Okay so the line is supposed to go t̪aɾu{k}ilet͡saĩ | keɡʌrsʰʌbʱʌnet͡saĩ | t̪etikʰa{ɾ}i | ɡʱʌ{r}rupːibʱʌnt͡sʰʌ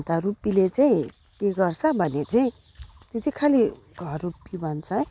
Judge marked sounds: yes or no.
no, no, yes

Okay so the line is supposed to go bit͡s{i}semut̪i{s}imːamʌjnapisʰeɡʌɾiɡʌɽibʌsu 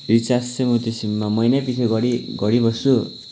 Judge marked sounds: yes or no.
no, yes

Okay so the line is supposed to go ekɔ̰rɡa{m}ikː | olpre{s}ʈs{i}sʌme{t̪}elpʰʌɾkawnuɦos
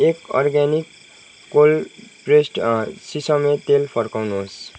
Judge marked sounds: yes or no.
no, yes, yes, yes

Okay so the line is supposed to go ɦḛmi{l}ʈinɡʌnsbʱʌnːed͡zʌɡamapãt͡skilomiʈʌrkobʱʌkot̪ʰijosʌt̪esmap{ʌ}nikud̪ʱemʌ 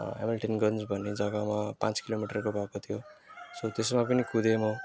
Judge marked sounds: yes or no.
yes, yes

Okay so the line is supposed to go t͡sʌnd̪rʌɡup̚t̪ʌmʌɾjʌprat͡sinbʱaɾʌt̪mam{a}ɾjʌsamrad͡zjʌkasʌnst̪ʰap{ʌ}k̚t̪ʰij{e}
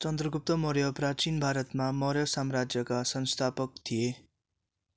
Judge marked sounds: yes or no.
no, yes, yes

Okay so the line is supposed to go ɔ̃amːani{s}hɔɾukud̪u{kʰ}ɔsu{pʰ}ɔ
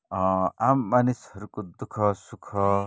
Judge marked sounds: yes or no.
yes, yes, no

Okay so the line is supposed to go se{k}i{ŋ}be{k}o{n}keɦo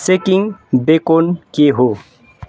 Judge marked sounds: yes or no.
yes, yes, yes, yes

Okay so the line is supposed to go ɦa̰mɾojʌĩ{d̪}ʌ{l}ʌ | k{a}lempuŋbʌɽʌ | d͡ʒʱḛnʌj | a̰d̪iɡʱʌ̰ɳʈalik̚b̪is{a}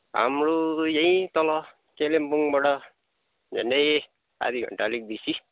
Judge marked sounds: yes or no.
no, yes, no, no

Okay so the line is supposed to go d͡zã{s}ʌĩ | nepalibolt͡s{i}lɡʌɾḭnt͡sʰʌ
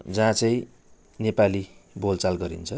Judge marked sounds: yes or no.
no, no

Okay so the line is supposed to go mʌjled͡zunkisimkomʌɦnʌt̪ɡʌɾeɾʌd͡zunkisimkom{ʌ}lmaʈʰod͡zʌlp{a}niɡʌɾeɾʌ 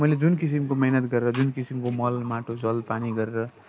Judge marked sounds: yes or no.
yes, yes

